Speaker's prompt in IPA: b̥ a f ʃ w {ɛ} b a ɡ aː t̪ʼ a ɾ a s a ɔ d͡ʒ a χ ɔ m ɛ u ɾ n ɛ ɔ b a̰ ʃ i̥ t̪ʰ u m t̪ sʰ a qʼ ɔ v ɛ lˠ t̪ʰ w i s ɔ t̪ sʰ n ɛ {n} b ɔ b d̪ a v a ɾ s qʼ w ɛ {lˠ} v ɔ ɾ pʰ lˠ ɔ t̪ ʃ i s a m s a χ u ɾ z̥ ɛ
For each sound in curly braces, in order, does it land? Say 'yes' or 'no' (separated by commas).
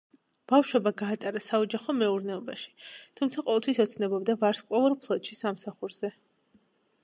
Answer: yes, no, no